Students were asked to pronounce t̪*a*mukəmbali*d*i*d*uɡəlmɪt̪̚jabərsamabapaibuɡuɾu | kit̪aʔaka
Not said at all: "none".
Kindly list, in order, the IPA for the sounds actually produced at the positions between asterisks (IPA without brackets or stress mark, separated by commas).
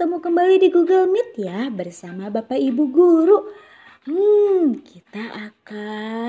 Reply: ə, d, ɡ